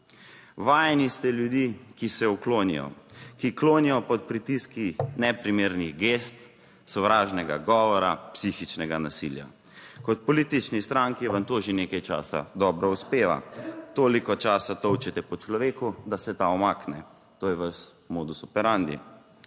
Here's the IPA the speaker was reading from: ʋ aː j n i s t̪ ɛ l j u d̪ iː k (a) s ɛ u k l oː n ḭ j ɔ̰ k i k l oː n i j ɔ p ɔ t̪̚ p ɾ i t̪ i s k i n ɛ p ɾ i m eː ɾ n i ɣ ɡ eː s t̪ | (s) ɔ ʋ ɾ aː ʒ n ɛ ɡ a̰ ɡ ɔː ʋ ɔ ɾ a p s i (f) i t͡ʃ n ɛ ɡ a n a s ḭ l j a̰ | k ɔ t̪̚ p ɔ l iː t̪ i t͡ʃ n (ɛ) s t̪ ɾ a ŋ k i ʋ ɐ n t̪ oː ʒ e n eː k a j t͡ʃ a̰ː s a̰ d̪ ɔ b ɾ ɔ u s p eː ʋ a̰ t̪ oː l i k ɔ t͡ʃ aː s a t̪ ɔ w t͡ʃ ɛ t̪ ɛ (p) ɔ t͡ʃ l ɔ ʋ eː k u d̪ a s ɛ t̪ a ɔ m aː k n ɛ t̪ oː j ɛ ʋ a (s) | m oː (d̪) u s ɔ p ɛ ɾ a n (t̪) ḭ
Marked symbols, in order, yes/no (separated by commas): no, yes, no, no, yes, yes, yes, no